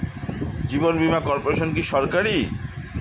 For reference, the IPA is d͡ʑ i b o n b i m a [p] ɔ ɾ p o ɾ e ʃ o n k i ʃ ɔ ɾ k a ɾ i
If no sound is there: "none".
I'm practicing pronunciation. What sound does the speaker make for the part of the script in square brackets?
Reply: k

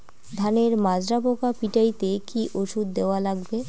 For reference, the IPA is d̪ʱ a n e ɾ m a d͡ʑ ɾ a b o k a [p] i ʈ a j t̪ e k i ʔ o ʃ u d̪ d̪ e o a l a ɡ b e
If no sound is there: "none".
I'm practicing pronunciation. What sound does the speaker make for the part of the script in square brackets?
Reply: p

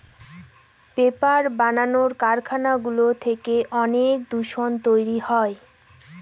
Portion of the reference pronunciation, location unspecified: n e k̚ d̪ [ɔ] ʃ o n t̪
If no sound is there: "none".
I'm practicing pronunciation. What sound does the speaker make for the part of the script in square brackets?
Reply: u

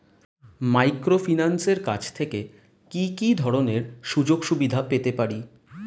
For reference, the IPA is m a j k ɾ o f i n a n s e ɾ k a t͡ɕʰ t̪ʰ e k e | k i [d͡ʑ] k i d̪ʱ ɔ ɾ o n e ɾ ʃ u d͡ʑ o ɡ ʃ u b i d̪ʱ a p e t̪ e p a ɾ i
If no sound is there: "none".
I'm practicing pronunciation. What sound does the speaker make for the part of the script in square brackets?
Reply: none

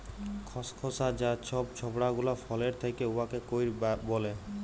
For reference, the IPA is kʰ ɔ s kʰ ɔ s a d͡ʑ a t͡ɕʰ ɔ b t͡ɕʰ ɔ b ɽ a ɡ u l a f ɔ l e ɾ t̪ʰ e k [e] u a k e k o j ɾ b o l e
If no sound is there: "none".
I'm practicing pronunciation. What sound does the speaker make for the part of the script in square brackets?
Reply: e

